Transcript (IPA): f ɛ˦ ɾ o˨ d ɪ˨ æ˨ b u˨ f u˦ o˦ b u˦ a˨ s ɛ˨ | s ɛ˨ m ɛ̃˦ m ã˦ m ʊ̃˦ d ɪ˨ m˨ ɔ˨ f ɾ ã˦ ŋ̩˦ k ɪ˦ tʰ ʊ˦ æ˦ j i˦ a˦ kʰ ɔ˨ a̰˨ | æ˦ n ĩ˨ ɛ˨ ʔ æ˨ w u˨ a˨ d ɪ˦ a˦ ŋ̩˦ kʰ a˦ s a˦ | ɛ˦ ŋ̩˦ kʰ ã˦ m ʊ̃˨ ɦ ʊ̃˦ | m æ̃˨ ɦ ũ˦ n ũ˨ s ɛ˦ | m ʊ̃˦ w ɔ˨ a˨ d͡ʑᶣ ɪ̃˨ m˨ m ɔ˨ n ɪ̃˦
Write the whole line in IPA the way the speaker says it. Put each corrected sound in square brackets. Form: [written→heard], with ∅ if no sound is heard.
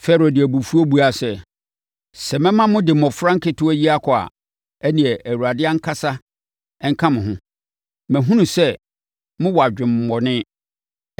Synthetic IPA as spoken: f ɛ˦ ɾ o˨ d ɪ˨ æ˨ b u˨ f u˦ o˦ b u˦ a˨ s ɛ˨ | s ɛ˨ m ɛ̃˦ m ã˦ m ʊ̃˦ d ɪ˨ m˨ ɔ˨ f ɾ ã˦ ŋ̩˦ k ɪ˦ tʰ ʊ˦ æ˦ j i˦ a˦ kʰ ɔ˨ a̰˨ | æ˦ n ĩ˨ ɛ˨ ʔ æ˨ w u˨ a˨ d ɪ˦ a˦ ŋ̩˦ kʰ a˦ s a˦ | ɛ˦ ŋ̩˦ kʰ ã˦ m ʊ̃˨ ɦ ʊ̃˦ | m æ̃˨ ɦ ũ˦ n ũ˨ s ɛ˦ | m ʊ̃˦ w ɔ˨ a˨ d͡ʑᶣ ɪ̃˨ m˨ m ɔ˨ n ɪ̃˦

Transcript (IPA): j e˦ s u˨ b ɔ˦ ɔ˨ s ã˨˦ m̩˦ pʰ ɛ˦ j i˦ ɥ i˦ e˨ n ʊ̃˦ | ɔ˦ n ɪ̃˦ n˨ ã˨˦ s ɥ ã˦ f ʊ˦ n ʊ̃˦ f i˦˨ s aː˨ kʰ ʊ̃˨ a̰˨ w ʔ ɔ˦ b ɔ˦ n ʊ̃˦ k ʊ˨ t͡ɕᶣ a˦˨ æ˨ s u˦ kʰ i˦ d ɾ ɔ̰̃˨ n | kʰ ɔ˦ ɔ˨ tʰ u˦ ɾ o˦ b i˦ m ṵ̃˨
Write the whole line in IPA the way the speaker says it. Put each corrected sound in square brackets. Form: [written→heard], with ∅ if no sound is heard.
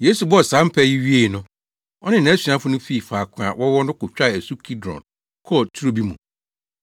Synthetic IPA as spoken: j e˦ s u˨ b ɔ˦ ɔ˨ s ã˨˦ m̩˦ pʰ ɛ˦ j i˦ ɥ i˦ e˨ n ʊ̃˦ | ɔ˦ n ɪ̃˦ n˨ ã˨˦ s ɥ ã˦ f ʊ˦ n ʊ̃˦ f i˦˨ [s→f] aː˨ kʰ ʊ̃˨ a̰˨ w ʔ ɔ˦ [b→w] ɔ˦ n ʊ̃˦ k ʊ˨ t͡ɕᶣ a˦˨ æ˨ s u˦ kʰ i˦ d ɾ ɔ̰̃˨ n | kʰ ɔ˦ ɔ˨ tʰ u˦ ɾ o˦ b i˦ m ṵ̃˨

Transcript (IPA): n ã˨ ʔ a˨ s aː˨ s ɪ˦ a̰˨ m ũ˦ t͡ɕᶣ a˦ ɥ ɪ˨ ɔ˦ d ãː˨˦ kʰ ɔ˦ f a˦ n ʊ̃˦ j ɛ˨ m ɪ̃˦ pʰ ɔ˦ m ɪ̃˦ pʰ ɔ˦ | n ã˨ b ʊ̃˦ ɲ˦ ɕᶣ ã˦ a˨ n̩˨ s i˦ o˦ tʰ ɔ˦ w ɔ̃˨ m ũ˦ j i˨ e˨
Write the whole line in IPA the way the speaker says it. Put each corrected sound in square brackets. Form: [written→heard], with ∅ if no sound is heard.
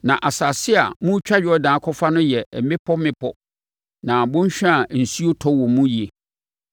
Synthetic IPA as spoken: n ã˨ ʔ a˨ s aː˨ s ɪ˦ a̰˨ m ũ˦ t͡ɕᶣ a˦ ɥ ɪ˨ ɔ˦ d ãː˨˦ kʰ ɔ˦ f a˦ n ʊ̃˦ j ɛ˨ m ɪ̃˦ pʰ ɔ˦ m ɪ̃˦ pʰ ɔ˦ | n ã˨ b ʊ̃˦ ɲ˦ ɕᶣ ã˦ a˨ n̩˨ s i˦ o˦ tʰ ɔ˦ w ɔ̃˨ m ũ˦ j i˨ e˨

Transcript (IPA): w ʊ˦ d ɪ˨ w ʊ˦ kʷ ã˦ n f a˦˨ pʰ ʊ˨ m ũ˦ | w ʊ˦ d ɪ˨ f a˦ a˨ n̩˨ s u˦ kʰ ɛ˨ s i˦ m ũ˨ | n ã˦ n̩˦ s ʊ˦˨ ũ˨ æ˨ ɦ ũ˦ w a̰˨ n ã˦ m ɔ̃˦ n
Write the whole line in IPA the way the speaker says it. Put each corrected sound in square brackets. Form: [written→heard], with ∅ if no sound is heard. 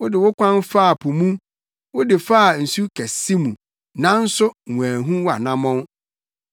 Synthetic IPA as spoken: w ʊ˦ d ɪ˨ w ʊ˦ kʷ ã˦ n f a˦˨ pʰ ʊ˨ m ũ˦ | w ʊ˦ d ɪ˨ f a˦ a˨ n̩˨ s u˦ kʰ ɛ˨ s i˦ m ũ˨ | n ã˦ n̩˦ s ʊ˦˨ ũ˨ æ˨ ɦ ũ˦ w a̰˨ n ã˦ m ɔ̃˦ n

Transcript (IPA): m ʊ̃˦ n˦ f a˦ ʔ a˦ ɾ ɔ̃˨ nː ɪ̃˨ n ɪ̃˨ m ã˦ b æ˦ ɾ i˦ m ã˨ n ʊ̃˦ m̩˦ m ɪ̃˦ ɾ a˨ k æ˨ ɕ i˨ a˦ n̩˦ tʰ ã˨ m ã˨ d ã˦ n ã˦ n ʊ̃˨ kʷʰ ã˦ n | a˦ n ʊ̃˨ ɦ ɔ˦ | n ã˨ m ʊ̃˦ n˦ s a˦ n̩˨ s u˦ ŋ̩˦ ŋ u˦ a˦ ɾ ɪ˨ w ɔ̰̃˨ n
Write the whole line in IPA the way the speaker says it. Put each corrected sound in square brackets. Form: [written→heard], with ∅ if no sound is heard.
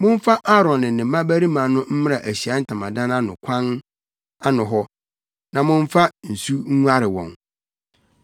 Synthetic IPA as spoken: m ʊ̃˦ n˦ f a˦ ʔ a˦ ɾ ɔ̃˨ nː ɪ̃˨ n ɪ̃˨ m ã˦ b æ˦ ɾ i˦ m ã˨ n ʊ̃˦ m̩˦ m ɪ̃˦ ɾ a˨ [k→ʔ] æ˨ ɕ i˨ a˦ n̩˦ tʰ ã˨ m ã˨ d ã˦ n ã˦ n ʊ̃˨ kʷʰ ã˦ n | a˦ n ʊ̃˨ ɦ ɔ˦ | n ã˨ m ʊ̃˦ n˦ [s→f] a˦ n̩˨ s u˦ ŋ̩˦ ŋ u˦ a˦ ɾ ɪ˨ w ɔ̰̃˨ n

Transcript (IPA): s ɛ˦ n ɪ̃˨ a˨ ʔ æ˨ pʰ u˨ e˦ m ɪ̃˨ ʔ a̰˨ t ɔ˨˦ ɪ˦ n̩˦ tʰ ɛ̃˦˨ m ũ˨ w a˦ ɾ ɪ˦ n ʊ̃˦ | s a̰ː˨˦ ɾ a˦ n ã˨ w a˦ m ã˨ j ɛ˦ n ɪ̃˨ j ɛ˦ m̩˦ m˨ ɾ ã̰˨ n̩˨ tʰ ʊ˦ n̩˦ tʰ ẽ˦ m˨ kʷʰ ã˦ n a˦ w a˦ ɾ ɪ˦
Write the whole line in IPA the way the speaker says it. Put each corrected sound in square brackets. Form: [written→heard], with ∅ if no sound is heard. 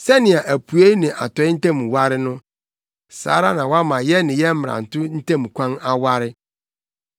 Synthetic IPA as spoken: s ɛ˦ n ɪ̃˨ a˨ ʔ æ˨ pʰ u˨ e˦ [m→n] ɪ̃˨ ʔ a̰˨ t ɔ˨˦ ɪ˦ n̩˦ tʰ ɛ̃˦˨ m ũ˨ w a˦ ɾ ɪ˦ n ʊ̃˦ | s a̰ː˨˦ ɾ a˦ n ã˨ w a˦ m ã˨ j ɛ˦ n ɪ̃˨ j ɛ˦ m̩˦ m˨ ɾ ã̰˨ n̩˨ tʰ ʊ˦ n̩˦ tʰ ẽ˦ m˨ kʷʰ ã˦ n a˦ w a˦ ɾ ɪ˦

